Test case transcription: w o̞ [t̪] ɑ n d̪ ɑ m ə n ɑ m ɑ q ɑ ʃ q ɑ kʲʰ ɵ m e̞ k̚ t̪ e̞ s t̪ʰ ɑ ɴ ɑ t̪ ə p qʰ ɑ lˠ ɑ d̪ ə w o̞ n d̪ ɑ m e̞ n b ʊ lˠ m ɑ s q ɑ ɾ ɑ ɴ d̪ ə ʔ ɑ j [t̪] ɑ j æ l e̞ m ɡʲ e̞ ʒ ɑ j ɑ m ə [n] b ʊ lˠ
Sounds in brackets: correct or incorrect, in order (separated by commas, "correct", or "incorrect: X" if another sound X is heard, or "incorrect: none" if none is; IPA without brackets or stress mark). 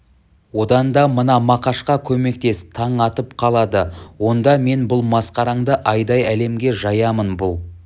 incorrect: d̪, incorrect: d̪, correct